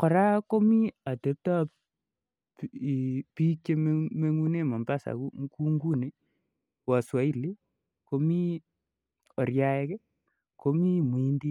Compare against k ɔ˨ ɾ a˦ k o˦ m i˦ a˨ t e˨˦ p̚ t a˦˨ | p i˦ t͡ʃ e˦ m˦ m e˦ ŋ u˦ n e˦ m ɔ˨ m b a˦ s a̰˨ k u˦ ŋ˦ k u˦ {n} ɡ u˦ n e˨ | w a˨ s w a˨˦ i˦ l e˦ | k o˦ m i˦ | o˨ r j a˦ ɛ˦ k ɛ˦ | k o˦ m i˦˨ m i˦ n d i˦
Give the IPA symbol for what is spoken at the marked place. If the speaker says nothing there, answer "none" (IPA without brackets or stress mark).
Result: ŋ